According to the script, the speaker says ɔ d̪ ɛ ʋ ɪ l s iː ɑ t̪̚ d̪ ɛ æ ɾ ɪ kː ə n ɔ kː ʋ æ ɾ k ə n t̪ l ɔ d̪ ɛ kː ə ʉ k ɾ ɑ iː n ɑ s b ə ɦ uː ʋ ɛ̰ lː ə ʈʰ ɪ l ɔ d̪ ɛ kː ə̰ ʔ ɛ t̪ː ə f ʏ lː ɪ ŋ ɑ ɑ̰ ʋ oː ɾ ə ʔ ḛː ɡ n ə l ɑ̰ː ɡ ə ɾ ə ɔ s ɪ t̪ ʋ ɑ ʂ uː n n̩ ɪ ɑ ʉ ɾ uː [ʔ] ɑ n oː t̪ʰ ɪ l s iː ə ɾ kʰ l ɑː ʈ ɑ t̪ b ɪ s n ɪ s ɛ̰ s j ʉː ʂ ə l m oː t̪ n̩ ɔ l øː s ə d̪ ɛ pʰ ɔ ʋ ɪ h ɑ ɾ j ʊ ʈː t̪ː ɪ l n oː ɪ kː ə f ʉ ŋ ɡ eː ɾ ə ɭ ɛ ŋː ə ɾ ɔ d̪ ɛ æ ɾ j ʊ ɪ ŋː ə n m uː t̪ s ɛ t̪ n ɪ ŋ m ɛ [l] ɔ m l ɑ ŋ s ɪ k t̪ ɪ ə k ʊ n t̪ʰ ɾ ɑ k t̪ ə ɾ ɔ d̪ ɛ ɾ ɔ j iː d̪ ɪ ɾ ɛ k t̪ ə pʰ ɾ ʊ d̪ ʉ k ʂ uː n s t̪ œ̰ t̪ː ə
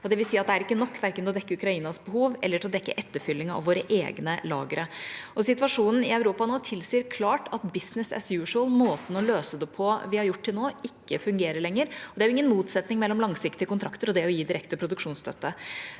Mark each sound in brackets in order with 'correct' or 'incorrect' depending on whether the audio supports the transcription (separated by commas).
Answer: incorrect, incorrect